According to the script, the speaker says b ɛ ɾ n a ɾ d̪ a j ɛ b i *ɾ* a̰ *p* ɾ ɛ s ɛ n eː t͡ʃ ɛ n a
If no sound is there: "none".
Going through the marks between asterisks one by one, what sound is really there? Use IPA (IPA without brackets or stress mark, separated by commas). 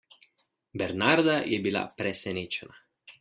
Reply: l, p